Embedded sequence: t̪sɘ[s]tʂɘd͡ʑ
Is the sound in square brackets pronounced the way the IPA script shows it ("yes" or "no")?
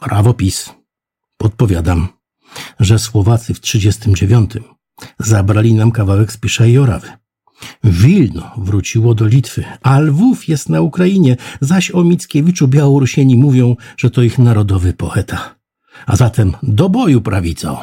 no